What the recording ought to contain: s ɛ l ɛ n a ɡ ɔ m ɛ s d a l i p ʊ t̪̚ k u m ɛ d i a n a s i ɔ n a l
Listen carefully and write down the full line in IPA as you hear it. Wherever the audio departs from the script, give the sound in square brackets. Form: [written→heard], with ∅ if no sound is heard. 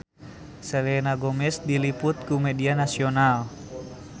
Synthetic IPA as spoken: s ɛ l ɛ n a ɡ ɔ m ɛ s d [a→i] l i p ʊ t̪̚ k u m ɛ d i a n a s i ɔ n a l